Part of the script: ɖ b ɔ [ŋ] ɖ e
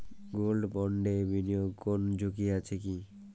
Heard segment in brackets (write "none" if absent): ɳ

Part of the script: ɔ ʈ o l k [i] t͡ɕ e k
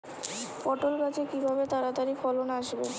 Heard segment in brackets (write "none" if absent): a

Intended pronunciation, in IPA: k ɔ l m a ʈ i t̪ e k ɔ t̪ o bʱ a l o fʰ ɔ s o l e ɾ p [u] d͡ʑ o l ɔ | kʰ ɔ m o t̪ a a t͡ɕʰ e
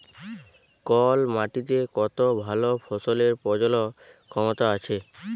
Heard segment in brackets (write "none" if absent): ɔ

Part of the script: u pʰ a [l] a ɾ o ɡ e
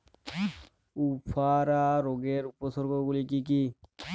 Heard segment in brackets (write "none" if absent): ɾ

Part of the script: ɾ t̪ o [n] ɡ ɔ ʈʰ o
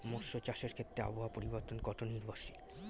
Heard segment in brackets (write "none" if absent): n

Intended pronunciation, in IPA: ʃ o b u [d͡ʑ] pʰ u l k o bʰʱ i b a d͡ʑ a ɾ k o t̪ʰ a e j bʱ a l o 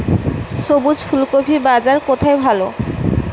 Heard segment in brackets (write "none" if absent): d͡ʑ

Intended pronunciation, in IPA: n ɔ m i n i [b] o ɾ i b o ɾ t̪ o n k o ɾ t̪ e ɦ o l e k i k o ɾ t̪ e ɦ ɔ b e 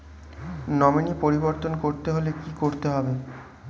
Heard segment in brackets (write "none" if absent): p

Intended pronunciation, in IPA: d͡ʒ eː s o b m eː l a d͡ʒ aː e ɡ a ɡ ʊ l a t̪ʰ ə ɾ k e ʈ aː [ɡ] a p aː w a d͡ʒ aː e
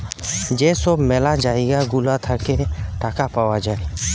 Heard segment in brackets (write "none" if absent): k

